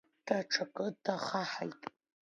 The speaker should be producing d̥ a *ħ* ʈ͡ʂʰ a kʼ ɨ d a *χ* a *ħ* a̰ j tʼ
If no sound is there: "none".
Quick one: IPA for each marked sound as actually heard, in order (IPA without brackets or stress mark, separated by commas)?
none, χ, ħ